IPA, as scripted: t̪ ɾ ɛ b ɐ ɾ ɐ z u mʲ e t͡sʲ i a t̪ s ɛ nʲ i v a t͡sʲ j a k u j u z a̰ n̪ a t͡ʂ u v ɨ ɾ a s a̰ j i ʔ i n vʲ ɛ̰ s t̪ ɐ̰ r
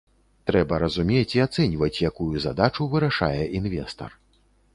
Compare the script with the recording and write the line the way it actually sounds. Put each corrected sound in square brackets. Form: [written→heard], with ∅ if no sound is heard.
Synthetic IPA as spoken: t̪ ɾ ɛ b ɐ ɾ ɐ z u mʲ e t͡sʲ i a t̪ s ɛ nʲ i v [a→ɐ] t͡sʲ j a k u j u z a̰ [n̪→d̪] a t͡ʂ u v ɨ ɾ a [s→ʂ] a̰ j [i→ɛ] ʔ i n vʲ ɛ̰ s t̪ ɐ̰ r